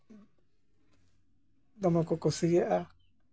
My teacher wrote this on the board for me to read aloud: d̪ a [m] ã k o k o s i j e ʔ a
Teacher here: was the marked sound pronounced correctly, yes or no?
yes